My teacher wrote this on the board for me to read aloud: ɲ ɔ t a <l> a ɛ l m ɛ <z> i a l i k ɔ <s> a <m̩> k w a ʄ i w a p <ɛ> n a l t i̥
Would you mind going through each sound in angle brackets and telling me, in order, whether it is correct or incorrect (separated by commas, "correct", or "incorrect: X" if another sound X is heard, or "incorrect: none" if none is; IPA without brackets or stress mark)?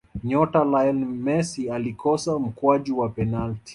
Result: correct, incorrect: s, correct, correct, correct